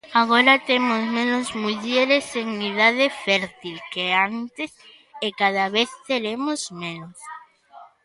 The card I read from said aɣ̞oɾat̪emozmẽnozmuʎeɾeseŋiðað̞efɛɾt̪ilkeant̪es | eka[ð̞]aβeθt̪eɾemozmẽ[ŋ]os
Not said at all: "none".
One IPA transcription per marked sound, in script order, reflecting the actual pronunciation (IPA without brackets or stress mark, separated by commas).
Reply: ð̞, n